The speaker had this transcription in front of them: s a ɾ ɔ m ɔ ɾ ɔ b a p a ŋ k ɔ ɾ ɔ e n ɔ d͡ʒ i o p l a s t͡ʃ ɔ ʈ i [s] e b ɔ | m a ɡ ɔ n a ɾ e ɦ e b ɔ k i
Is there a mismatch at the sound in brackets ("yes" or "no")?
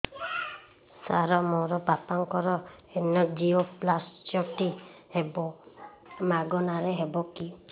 yes